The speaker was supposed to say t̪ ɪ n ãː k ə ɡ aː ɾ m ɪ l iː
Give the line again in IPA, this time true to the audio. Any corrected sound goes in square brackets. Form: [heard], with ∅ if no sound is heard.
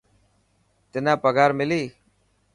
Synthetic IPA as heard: t̪ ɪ n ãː [p] ə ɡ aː ɾ m ɪ l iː